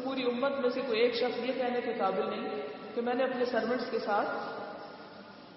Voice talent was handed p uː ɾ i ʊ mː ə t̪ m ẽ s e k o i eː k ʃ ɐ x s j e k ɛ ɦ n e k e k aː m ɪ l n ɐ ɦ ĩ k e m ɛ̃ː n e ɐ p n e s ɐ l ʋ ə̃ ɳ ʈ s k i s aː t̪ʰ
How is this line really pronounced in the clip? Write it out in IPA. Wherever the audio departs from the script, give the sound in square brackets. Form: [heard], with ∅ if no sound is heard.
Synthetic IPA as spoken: p uː ɾ i ʊ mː ə t̪ m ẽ s e k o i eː k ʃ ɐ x s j e k ɛ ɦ n e k e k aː [b] ɪ l n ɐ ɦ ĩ k e m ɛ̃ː n e ɐ p n e s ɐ [ɾ] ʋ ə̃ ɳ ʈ s k [e] s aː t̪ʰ